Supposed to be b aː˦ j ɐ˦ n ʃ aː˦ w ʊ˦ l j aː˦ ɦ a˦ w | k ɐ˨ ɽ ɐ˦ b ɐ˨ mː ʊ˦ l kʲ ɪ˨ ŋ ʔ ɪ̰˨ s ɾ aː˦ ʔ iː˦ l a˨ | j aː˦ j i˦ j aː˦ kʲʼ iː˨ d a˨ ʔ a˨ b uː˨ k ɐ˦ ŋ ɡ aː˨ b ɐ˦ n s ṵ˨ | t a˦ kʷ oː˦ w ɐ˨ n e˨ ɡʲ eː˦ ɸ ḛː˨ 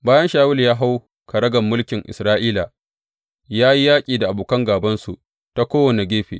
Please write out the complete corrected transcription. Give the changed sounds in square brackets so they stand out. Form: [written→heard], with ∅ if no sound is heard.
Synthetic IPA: b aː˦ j ɐ˦ n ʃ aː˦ w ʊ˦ l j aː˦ ɦ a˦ w | k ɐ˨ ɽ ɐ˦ [b→ɡ] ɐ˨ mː ʊ˦ l kʲ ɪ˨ ŋ ʔ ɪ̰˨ s ɾ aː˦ ʔ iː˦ l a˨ | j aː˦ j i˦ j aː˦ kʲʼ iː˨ d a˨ ʔ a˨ b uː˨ k ɐ˦ ŋ ɡ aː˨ b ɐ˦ n s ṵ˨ | t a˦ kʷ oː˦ w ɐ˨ n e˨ ɡʲ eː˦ ɸ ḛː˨

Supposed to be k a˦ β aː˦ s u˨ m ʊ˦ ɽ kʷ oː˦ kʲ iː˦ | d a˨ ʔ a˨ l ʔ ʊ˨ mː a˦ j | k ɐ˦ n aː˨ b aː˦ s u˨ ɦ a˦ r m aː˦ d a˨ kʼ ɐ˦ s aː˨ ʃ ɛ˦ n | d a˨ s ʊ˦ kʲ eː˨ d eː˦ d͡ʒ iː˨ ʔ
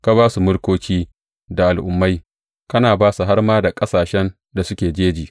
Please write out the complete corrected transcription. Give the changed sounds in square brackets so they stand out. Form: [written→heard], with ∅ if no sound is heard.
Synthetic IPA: k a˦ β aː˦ s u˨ m ʊ˦ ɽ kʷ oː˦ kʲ iː˦ | d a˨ ʔ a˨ l ʔ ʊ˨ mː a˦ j | k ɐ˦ n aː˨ b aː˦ s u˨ ɦ a˦ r m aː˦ d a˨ kʼ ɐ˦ s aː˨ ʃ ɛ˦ n | d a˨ s ʊ˦ kʲ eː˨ [d→d͡ʒ] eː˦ d͡ʒ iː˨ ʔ

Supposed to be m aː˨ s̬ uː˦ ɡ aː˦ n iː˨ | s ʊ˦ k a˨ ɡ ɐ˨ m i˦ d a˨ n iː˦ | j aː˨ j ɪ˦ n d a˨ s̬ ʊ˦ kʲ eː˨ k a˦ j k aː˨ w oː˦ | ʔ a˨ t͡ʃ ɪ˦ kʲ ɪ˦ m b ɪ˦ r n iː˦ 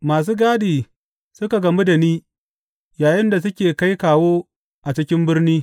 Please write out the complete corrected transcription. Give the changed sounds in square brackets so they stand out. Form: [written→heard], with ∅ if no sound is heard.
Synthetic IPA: m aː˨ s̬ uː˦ ɡ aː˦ [n→d] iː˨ | s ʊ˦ k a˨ ɡ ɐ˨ m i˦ d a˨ n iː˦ | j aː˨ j ɪ˦ n d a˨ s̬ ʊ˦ kʲ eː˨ k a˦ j k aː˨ w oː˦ | ʔ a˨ t͡ʃ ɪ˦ kʲ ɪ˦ m b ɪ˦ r n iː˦

